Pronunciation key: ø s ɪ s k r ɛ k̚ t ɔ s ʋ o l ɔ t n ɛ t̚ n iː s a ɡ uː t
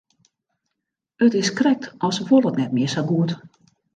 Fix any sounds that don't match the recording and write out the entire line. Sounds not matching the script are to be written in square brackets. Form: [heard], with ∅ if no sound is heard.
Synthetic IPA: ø [t] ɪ s k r ɛ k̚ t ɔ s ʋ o l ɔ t n ɛ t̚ [m] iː s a ɡ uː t

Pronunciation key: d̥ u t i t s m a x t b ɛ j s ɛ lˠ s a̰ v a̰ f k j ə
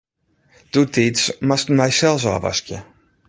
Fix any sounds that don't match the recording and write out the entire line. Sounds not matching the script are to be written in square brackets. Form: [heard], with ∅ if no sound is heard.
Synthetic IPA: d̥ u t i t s m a [s] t [m] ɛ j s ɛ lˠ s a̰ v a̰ [s] k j ə

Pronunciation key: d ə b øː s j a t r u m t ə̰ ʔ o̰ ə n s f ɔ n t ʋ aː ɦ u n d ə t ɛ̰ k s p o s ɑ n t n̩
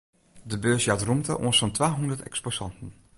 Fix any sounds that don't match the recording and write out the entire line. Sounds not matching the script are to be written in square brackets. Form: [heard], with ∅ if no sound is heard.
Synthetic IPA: d ə b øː s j a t r u m t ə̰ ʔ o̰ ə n s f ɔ n t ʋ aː ɦ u n d ə t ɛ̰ k s p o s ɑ n t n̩

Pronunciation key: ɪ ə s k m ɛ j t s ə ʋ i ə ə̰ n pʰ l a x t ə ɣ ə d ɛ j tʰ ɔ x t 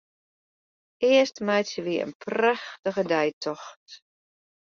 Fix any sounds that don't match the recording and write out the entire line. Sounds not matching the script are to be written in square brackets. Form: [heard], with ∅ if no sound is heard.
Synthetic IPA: ɪ ə s [t] m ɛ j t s ə ʋ i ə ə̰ n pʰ [r] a x t ə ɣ ə d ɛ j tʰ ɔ x t

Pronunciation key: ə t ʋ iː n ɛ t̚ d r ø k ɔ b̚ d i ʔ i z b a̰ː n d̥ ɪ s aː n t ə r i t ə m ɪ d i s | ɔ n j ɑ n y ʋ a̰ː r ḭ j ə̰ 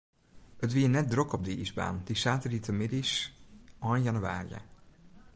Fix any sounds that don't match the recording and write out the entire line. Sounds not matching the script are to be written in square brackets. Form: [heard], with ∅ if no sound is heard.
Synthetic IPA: ə t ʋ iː n ɛ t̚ d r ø k ɔ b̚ d i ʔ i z b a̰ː n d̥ [i] s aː [∅] t ə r i t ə m ɪ d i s | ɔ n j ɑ n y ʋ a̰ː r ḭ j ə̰

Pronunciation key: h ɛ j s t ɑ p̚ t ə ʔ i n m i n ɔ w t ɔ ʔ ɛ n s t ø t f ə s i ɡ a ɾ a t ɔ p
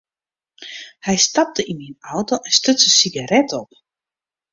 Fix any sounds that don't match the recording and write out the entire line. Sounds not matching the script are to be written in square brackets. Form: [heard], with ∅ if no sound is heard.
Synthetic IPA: h ɛ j s t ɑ p̚ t ə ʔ i n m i n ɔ w t [o] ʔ ɛ n s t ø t [s] ə s i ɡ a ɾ [ɛ] t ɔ p

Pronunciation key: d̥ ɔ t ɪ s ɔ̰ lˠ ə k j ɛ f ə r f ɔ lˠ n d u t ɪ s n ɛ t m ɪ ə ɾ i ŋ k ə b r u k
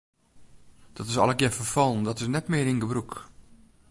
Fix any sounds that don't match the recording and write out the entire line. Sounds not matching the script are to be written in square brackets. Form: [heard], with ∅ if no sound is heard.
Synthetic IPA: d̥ ɔ t ɪ s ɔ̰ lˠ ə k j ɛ f ə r f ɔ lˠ n d [ɔ] t ɪ s n ɛ t m ɪ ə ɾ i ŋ [ɡ] ə b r u k

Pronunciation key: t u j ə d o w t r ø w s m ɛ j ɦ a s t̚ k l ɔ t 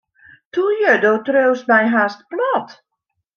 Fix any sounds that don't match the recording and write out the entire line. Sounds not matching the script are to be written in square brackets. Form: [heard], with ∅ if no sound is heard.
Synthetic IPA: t u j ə d o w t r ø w s m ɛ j ɦ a s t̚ [p] l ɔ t

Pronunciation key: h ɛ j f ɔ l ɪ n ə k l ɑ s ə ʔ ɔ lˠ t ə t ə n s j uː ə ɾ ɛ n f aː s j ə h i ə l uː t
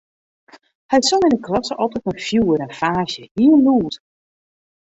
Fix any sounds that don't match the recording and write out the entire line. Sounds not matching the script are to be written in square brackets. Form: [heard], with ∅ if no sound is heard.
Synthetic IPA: h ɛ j [s] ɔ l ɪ n ə k l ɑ s ə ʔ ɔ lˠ t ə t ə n [f] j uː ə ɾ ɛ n f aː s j ə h i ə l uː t

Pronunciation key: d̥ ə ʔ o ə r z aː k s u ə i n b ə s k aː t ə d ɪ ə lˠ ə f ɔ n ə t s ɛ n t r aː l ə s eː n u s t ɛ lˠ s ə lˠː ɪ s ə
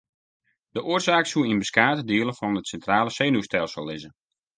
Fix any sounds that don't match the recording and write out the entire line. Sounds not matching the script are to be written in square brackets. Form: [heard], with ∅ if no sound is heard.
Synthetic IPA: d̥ ə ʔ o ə r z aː k s u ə i n b ə s k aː t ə d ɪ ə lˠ ə f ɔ n ə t s ɛ n t r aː l ə s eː n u s t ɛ lˠ s ə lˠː ɪ [z] ə

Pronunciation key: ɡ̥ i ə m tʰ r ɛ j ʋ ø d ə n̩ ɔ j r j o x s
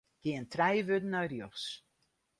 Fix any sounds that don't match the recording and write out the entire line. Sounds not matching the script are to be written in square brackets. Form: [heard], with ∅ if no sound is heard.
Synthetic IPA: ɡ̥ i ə [n] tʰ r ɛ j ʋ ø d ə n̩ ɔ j r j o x s

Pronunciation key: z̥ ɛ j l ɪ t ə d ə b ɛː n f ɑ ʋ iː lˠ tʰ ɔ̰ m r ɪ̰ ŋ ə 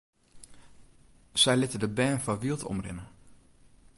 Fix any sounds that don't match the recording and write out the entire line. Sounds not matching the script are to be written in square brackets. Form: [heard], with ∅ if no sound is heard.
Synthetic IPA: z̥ ɛ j l ɪ t ə d ə b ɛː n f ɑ ʋ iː lˠ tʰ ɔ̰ m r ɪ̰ [n] ə

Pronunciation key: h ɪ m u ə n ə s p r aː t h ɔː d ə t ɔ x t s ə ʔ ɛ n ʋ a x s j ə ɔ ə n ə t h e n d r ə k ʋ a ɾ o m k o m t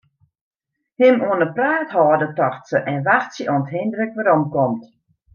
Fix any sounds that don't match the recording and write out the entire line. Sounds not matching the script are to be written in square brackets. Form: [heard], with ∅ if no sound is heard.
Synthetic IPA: h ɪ m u ə n ə [∅] p r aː t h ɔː d ə t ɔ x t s ə ʔ ɛ n ʋ a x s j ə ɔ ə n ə t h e n d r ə k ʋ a ɾ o m k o m t

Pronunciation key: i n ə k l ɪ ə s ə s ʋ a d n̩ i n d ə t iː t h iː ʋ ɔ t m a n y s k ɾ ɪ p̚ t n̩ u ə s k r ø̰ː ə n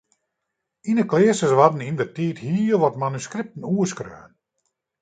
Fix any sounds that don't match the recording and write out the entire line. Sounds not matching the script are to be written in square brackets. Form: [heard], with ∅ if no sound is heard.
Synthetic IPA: i n ə k l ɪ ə s ə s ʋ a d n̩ i n d ə t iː t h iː ʋ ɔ t m a n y s k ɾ ɪ p̚ t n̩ u ə s k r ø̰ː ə n

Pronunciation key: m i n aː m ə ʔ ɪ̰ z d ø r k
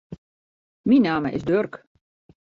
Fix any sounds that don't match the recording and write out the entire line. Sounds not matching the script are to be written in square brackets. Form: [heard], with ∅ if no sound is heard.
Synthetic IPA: m i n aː m ə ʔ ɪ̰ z d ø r k

